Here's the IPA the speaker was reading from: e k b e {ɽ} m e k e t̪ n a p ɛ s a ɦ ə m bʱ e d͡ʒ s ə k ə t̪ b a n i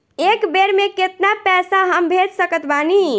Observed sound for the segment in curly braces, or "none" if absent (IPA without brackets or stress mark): ɾ